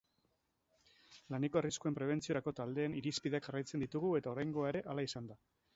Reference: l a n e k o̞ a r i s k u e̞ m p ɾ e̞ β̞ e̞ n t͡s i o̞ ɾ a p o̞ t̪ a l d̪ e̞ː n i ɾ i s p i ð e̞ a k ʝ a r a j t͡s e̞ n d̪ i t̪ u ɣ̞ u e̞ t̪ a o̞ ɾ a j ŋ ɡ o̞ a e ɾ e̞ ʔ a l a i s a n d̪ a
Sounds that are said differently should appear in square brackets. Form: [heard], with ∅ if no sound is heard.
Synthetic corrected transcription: l a n e k o̞ a r i s k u e̞ m p ɾ e̞ β̞ e̞ n t͡s i o̞ ɾ a [k] o̞ t̪ a l d̪ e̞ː n i ɾ i s p i ð e̞ a k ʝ a r a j t͡s e̞ n d̪ i t̪ u ɣ̞ u e̞ t̪ a o̞ ɾ a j ŋ ɡ o̞ a e ɾ e̞ ʔ a l a i s a n d̪ a